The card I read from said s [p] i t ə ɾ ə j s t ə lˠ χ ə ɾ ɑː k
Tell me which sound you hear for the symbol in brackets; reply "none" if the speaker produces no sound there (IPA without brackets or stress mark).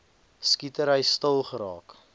k